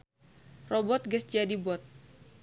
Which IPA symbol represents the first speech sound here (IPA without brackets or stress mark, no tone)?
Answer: r